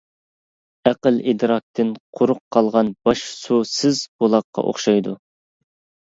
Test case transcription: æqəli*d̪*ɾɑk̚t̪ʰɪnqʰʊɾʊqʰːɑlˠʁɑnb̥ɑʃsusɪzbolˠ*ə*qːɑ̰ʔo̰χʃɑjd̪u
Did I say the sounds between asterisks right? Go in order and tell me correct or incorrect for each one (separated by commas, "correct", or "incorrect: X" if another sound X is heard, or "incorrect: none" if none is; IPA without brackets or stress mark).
correct, incorrect: ɑ